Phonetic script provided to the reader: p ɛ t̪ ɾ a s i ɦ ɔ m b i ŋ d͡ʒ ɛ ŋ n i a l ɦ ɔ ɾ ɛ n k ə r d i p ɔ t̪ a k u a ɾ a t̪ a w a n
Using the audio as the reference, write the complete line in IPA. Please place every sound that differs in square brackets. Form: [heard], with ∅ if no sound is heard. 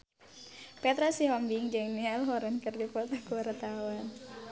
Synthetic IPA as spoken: p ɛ t̪ ɾ a s i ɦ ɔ m b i ŋ d͡ʒ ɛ ŋ n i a l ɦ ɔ ɾ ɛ n k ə r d i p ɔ t̪ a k u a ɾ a t̪ a w a n